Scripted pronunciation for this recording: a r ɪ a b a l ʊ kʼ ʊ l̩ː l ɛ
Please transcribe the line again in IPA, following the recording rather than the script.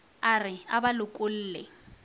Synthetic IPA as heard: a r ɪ a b a l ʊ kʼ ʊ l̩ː l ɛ